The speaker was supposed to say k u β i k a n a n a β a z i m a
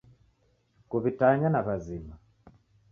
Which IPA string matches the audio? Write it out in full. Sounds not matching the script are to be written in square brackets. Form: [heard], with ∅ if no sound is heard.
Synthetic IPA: k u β i [t] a [ɲ] a n a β a z i m a